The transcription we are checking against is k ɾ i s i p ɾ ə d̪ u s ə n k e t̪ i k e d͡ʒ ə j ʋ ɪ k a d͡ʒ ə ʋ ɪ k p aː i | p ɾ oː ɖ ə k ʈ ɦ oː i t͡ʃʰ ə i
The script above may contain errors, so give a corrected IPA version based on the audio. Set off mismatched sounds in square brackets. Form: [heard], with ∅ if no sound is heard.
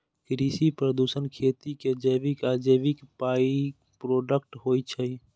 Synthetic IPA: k ɾ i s i p ɾ ə d̪ u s ə n [kʰ] e t̪ i k e d͡ʒ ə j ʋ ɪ k a d͡ʒ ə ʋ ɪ k p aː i | p ɾ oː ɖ ə k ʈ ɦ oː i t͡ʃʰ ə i